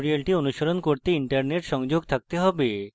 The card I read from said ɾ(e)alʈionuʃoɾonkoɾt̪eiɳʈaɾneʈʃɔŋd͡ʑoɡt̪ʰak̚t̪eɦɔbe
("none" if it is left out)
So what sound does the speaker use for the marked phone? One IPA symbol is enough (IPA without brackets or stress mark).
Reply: i